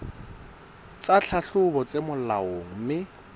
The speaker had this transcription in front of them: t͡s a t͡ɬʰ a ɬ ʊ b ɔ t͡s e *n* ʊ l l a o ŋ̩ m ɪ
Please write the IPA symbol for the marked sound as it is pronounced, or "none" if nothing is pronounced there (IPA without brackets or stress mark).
m